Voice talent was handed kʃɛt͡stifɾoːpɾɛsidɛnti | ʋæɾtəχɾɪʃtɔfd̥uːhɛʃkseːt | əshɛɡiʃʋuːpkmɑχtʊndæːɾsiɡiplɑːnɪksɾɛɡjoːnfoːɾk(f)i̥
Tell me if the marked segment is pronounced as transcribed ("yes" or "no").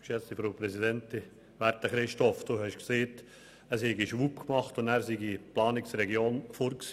no